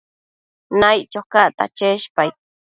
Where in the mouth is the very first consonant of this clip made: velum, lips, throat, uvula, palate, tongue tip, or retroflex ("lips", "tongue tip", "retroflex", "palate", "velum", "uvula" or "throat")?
tongue tip